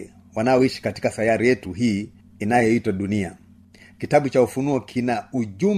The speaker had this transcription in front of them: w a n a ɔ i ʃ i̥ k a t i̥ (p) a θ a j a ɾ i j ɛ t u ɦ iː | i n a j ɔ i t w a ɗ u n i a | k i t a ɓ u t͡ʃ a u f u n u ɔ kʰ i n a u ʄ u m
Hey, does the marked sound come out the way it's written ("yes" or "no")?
no